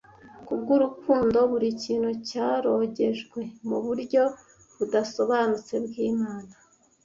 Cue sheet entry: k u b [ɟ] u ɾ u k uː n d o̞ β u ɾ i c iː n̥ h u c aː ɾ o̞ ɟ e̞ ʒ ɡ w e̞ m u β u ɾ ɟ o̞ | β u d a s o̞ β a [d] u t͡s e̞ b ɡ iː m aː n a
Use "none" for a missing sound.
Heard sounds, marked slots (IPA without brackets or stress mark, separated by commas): ɡ, n